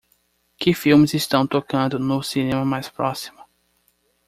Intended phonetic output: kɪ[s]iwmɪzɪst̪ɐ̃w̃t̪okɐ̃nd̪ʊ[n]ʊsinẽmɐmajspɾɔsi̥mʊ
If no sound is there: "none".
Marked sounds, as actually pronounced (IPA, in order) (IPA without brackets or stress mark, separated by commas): f, n